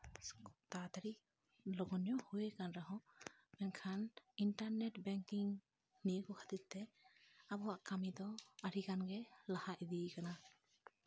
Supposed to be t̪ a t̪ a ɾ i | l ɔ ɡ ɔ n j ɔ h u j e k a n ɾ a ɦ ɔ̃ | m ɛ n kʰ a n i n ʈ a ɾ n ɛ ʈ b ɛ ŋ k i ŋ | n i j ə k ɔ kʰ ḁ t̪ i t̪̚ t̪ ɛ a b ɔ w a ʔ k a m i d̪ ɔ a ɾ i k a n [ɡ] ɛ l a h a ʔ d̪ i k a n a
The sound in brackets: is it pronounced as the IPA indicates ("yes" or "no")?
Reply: yes